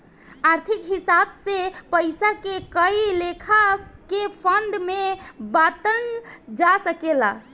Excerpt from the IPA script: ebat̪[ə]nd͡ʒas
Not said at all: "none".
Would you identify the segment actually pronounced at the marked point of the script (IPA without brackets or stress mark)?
ə